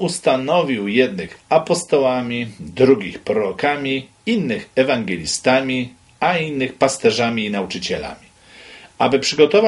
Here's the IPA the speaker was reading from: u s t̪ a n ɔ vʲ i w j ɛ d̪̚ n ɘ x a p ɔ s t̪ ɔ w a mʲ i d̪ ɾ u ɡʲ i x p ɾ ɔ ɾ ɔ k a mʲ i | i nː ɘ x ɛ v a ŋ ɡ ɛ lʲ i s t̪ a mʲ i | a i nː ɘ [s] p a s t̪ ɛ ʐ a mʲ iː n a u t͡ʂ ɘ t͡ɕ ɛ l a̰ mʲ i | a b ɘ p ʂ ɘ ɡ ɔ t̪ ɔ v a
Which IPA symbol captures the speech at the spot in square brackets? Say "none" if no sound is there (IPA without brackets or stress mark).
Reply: x